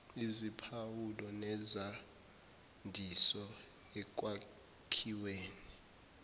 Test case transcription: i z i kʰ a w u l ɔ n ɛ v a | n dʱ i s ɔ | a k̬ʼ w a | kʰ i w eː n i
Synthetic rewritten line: i z i pʰ a w u l ɔ n ɛ z a | n dʱ i s ɔ | ɛ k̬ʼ w a | kʰ i w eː n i